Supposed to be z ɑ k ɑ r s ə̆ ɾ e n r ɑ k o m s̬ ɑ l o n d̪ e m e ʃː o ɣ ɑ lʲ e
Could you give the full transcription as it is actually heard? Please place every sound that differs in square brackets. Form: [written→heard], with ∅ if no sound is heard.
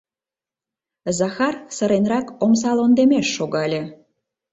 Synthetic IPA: z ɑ [k→x] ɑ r s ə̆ ɾ e n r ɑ k o m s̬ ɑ l o n d̪ e m e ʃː o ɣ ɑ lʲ e